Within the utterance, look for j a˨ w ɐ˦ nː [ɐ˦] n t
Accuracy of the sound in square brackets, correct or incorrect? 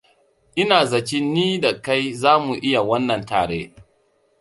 incorrect: ɐ˨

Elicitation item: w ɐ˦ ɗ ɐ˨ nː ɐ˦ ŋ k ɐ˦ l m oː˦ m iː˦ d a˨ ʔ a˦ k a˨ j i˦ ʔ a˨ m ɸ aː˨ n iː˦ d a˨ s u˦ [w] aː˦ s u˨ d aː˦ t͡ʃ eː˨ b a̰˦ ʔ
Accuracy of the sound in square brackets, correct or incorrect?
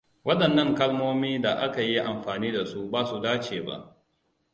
incorrect: b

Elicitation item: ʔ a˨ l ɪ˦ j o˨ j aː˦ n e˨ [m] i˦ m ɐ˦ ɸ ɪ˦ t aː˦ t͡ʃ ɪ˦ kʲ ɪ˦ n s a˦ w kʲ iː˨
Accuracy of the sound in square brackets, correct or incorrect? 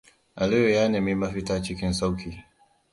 correct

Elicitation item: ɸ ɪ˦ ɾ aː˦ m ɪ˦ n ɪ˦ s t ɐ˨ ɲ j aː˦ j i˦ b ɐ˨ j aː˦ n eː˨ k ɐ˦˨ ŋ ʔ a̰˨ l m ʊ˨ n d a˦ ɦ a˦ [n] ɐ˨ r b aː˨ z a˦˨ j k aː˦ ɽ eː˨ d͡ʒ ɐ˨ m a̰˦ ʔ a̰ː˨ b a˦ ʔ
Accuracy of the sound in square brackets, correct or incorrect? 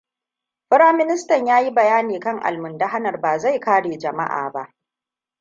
correct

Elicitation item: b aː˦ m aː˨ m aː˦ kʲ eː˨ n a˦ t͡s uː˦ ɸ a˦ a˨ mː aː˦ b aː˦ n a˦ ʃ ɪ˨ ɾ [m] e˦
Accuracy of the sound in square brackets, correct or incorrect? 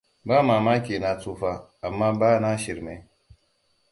correct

